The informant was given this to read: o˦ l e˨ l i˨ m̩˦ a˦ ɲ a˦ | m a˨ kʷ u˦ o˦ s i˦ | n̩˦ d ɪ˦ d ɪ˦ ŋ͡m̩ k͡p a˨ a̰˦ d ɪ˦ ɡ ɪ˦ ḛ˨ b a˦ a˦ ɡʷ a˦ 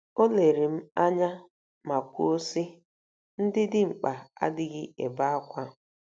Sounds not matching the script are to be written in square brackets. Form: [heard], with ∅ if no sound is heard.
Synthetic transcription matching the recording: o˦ l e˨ [ɾ] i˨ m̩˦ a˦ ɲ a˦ | m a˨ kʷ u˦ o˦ s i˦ | n̩˦ d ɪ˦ d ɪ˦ ŋ͡m̩ k͡p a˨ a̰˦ d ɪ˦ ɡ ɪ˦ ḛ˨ b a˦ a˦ [kʷ] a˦